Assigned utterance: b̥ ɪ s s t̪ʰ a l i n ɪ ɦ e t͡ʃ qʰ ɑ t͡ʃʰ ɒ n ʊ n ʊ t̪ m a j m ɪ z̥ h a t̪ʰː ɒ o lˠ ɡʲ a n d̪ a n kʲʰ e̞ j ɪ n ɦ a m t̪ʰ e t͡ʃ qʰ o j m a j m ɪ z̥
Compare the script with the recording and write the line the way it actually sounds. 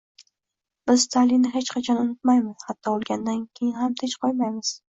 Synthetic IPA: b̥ ɪ z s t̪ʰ a l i n ɪ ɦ e t͡ʃ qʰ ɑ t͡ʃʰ ɒ n ʊ n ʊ t̪ m a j m ɪ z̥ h a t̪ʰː ɒ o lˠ ɡʲ a n d̪ a n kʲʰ e̞ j ɪ n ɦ a m t̪ʰ e t͡ʃ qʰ o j m a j m ɪ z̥

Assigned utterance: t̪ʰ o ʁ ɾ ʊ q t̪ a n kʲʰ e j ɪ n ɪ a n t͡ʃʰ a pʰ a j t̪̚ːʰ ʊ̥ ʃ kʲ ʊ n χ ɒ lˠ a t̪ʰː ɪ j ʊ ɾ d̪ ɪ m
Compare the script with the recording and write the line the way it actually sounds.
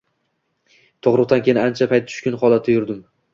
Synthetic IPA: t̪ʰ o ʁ ɾ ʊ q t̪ a n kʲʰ e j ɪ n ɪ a n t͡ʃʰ a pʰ a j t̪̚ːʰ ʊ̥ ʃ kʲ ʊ n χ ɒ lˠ a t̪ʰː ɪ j ʊ ɾ d̪ ɪ m

